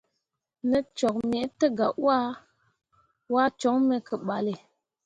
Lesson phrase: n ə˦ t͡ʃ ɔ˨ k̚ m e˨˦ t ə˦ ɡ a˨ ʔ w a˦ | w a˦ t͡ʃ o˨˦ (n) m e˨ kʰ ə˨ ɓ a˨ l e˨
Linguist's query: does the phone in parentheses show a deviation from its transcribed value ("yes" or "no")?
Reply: yes